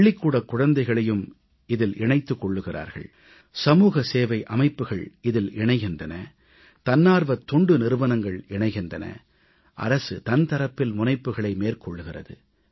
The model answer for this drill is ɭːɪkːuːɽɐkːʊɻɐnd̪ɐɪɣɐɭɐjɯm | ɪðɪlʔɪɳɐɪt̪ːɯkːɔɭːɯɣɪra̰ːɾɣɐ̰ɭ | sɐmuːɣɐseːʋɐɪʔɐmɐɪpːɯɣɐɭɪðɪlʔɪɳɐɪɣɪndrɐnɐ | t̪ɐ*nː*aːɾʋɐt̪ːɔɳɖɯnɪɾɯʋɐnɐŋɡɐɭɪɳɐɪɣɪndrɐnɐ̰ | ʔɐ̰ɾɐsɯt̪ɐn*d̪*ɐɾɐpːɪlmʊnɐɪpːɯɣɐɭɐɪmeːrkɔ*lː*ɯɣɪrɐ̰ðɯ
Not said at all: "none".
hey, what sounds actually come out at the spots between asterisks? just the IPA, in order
nː, t̪, ɭː

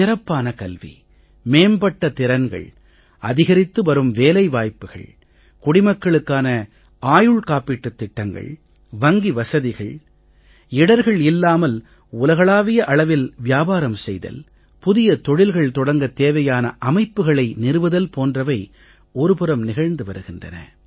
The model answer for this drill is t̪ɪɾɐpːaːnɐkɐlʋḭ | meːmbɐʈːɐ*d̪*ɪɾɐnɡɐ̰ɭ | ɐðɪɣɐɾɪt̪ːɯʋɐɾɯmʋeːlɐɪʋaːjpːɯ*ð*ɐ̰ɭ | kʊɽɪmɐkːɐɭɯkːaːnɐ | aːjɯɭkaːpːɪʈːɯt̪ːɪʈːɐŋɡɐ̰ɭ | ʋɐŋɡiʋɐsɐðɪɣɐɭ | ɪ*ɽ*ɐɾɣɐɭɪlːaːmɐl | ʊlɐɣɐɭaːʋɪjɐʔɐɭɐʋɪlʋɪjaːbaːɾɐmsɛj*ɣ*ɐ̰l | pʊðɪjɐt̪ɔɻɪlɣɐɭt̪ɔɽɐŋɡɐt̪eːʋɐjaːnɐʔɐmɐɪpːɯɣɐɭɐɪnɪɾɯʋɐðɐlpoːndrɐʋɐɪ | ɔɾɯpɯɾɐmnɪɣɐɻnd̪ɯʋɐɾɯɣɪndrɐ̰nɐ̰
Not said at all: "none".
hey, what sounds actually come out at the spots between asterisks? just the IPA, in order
t̪, ɣ, ɽ, ð

